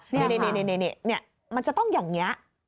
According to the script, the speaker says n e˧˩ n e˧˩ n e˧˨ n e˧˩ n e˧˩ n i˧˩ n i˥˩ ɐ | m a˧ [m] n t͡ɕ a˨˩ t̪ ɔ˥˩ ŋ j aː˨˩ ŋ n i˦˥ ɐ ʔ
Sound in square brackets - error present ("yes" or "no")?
yes